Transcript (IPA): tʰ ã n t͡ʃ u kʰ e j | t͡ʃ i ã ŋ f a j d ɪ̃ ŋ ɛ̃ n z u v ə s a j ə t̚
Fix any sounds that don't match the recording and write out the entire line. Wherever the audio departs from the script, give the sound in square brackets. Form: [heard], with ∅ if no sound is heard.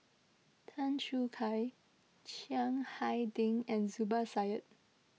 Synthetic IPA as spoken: tʰ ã n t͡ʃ u kʰ [a] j | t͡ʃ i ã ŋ [h] a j d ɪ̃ ŋ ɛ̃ n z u [b] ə s a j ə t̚